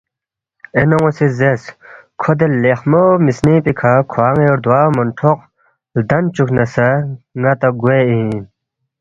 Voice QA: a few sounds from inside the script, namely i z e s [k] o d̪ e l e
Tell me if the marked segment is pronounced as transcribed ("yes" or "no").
no